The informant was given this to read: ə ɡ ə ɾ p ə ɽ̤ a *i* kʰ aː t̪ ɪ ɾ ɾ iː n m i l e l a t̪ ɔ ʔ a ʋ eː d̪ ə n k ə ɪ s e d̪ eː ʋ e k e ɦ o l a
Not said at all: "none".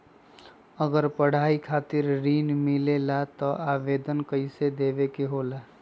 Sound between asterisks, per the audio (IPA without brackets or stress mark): i